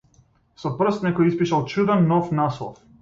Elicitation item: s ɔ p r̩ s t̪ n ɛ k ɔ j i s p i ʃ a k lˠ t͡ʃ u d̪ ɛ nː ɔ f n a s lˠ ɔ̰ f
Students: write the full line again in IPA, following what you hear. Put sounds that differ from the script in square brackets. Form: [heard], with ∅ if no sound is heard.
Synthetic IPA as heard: s ɔ p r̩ s t̪ n ɛ k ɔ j i s p i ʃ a [∅] lˠ t͡ʃ u d̪ ɛ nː ɔ f n a s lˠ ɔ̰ f